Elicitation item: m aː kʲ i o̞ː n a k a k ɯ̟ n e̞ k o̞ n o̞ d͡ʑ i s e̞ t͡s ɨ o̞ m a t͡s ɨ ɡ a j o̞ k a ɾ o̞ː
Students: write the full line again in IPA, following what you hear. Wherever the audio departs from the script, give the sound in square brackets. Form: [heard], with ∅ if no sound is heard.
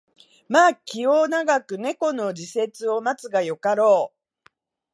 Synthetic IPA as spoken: m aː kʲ i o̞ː n a [ɡ] a k ɯ̟ n e̞ k o̞ n o̞ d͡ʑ i s e̞ t͡s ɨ o̞ m a t͡s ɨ ɡ a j o̞ k a ɾ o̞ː

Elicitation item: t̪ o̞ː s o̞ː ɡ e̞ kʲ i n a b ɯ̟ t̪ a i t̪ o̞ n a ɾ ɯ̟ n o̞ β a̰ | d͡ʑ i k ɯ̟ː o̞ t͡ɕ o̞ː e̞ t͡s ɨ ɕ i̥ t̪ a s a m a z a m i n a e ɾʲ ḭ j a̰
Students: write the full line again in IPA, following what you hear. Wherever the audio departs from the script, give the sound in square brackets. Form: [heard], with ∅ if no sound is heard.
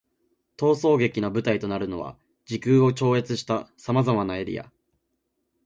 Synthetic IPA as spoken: t̪ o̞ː s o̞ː ɡ e̞ kʲ i n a b ɯ̟ t̪ a i t̪ o̞ n a ɾ ɯ̟ n o̞ β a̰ | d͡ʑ i k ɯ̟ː o̞ t͡ɕ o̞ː e̞ t͡s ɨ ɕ i̥ t̪ a s a m a z a m [a] n a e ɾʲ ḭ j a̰

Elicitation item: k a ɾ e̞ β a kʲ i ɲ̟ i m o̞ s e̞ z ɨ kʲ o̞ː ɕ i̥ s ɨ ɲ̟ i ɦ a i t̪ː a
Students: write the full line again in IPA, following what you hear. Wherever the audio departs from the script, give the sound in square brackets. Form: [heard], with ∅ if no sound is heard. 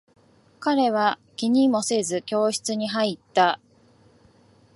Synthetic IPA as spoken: k a ɾ e̞ β a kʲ i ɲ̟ i m o̞ s e̞ z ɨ kʲ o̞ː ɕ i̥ [t͡s] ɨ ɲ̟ i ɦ a i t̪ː a

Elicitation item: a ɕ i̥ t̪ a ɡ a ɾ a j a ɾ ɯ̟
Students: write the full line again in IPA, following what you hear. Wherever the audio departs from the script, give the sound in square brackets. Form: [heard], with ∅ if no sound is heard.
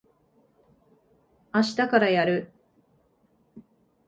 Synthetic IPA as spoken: a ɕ i̥ t̪ a [k] a ɾ a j a ɾ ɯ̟

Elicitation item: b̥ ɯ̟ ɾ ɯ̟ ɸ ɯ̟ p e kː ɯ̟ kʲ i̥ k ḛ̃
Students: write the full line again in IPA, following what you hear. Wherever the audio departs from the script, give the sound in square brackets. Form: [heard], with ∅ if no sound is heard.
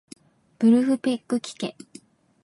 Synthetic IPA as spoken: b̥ ɯ̟ ɾ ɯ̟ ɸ ɯ̟ p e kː ɯ̟ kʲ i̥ k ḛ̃

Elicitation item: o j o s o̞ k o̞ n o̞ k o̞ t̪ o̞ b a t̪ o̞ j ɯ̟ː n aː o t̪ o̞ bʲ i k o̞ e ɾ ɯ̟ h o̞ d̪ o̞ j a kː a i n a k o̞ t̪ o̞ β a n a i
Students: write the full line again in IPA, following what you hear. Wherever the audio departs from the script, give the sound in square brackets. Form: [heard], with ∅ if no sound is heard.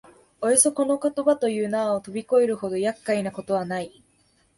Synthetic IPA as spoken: o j o s o̞ k o̞ n o̞ k o̞ t̪ o̞ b a t̪ o̞ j ɯ̟ː n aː o t̪ o̞ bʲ i k o̞ e ɾ ɯ̟ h o̞ d̪ o̞ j a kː a i n a k o̞ t̪ o̞ β a n a i

